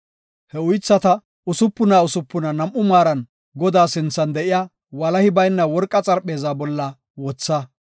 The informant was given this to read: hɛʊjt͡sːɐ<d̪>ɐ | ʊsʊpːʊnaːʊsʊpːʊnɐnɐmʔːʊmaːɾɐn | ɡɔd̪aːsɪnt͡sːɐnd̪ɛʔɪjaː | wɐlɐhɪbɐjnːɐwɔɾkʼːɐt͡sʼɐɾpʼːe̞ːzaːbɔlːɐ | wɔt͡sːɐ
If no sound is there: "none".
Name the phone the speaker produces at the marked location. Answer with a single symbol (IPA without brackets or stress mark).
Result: t̪